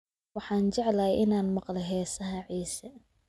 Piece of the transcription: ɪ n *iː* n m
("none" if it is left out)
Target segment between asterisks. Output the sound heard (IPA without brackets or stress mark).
aː